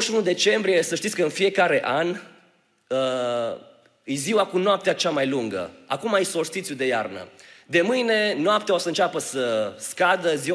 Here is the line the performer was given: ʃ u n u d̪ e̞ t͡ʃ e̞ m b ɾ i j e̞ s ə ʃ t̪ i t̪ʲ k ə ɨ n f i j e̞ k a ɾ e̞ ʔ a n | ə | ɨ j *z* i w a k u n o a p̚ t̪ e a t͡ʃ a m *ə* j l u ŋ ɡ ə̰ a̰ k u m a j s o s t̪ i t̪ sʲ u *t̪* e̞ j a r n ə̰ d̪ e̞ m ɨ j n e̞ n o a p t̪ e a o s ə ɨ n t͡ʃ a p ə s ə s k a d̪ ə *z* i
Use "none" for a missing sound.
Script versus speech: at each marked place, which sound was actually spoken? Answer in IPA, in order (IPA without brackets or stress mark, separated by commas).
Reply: z, a, d̪, z